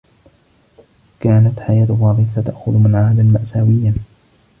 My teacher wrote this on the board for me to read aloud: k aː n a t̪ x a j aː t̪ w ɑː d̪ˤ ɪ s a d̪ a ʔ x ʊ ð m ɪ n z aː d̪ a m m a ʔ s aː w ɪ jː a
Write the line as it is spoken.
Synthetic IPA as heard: k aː n a t̪ ħ a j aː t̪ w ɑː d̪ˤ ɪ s a t̪ a ʔ x ʊ ð m ɪ n ʕ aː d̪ a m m a ʔ s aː w ɪ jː a

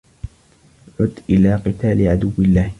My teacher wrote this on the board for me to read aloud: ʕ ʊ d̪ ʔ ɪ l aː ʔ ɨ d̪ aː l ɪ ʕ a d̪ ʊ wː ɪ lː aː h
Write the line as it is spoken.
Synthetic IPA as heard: ʕ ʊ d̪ ʔ ɪ l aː q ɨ t̪ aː l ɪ ʕ a d̪ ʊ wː ɪ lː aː h

